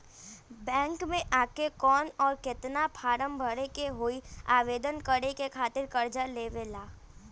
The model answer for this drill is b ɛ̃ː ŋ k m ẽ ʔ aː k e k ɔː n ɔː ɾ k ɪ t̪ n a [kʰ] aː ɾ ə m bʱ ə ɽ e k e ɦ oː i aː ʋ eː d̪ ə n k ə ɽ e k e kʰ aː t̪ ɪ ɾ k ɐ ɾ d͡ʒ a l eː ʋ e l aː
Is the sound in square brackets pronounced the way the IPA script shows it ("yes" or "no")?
no